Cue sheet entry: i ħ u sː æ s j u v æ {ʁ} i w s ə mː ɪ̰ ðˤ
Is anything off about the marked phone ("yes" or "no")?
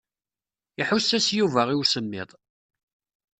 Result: no